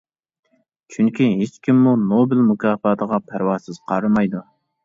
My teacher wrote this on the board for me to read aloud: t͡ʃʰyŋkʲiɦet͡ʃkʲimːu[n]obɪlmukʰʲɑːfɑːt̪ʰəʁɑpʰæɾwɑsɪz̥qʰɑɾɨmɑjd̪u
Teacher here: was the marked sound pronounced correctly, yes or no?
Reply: yes